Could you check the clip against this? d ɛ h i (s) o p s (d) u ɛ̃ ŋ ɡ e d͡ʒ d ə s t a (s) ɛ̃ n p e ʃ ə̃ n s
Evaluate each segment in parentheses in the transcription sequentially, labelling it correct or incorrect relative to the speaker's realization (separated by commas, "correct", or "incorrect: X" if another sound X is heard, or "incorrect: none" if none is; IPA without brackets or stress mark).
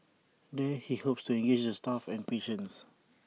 incorrect: h, incorrect: t, incorrect: f